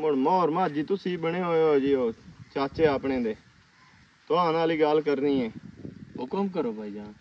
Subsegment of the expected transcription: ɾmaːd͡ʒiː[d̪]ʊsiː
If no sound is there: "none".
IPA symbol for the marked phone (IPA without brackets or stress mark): t̪